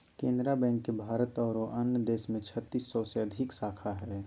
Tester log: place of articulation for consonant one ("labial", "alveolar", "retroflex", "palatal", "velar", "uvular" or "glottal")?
velar